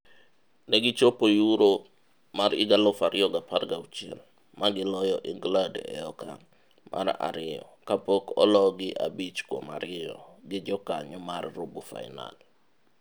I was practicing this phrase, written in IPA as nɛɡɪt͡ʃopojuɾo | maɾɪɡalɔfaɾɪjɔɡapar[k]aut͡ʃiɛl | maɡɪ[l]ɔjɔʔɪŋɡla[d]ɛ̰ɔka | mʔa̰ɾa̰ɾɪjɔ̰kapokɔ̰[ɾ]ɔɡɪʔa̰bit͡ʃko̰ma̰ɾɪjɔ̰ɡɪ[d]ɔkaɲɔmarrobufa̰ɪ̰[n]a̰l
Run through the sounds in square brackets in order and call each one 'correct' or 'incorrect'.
incorrect: ɡ, correct, correct, incorrect: l, incorrect: d͡ʒ, correct

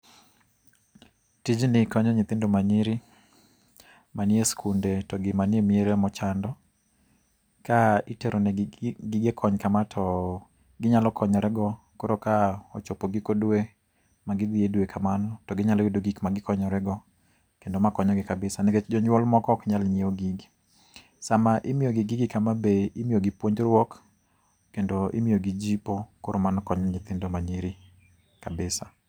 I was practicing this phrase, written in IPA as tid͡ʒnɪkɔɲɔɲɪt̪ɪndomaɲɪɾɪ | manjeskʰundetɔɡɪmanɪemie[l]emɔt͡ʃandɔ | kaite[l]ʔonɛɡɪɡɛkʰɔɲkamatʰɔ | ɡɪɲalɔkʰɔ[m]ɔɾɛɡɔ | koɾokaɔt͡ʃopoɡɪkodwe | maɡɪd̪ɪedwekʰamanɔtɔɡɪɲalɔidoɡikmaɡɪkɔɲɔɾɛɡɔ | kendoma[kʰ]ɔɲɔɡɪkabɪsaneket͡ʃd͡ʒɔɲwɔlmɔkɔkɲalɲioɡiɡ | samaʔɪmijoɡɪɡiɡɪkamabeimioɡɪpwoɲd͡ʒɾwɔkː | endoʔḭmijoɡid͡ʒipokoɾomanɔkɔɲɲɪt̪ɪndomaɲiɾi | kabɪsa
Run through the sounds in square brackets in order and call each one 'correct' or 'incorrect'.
incorrect: ɾ, incorrect: ɾ, incorrect: ɲ, incorrect: k

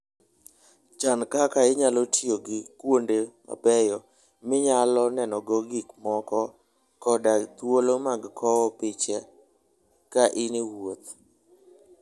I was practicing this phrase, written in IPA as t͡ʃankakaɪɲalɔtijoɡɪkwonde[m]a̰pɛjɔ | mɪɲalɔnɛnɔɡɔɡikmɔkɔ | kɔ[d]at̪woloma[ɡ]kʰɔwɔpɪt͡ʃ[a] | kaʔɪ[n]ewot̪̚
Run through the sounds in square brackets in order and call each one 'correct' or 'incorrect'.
correct, correct, correct, incorrect: ɛ, correct

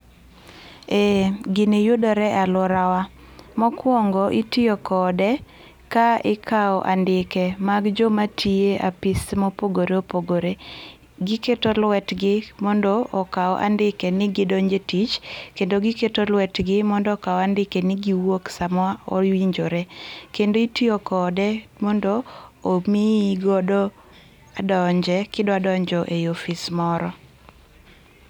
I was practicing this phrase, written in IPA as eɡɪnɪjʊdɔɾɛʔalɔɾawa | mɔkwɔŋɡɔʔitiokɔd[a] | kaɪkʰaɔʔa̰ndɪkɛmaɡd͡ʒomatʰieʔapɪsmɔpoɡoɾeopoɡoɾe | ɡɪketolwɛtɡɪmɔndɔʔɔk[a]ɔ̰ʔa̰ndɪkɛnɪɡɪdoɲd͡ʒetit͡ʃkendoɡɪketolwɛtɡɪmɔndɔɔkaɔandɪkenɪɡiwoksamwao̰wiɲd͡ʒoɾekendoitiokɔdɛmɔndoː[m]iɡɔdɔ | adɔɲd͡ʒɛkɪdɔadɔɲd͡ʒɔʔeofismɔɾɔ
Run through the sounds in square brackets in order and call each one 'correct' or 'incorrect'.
incorrect: ɛ, correct, correct

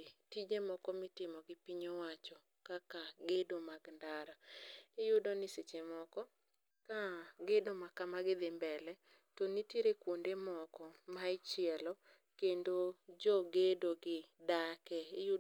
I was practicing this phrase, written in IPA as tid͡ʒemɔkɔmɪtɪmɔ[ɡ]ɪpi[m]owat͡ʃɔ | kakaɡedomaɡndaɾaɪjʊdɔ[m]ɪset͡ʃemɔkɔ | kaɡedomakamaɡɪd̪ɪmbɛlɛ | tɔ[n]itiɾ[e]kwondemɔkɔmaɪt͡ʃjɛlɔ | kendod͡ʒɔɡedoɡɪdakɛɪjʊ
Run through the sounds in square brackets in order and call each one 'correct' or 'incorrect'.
correct, incorrect: ɲ, incorrect: n, correct, correct

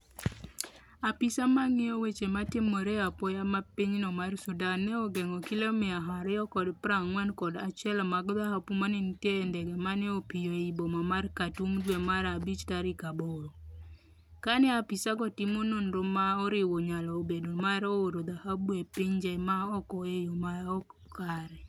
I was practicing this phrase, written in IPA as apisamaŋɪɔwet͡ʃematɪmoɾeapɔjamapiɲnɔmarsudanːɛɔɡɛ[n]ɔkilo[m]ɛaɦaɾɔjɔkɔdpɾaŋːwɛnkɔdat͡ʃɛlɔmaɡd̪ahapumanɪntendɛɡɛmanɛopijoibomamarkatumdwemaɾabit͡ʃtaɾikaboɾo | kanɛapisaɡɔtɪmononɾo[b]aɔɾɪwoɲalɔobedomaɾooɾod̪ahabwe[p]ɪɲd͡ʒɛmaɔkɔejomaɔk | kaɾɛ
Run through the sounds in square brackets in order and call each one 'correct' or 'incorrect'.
incorrect: ŋ, correct, incorrect: m, correct

